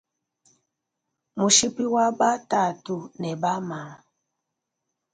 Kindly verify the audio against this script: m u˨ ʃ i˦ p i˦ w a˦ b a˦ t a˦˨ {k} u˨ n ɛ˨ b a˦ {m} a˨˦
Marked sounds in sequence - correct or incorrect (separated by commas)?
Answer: incorrect, correct